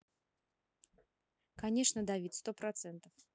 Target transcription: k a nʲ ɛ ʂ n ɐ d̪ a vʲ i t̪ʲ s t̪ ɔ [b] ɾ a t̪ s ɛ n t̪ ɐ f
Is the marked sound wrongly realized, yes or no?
yes